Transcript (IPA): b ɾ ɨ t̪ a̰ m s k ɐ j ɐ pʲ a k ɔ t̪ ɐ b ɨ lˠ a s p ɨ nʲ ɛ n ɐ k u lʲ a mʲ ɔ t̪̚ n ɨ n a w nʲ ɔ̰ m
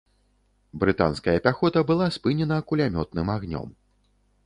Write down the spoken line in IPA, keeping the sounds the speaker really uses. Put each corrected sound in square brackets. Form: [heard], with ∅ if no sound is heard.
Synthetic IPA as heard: b ɾ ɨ t̪ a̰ [n] s k ɐ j ɐ pʲ a [x] ɔ t̪ ɐ b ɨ lˠ a s p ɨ nʲ ɛ n ɐ k u lʲ a mʲ ɔ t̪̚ n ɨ [m] a [ɣ] nʲ ɔ̰ m